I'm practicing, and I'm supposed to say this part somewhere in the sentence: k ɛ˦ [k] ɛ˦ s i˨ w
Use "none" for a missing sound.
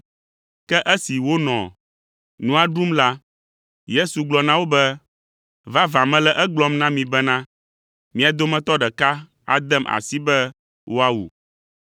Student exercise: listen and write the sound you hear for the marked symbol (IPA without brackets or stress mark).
ʔ